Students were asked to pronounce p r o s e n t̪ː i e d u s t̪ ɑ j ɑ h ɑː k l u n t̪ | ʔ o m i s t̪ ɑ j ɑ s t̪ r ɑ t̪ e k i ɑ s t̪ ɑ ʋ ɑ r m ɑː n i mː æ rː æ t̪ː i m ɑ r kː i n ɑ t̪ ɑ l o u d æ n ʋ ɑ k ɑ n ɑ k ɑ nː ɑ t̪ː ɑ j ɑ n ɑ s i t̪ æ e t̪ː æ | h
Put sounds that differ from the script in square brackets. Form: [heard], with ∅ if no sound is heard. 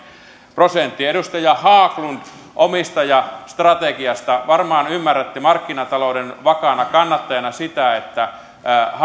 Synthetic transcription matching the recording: p r o s e n t̪ː i e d u s t̪ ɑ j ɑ h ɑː k l u n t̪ | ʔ o m i s t̪ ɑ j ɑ s t̪ r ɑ t̪ e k i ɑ s t̪ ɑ ʋ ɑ r m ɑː n [y] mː æ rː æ t̪ː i m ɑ r kː i n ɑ t̪ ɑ l o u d [e] n ʋ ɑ k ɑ n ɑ k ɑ nː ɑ t̪ː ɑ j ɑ n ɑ s i t̪ æ e t̪ː æ | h